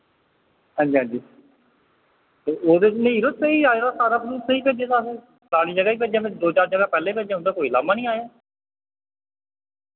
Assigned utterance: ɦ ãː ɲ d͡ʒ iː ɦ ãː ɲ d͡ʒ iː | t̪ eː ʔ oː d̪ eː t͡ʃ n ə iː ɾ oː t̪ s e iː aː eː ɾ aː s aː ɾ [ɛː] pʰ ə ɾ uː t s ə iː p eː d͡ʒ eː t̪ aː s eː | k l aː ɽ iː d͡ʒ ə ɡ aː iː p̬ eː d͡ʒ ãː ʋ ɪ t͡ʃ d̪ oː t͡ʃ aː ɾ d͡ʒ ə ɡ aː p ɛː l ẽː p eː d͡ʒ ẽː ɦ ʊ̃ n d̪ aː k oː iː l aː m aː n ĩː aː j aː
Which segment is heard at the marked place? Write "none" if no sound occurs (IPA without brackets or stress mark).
aː